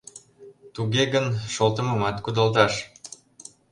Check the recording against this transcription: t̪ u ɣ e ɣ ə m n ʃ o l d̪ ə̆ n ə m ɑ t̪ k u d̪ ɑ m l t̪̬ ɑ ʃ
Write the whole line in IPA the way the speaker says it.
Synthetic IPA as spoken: t̪ u ɣ e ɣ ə n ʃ o l t̪ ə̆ m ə m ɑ t̪ k u d̪ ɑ l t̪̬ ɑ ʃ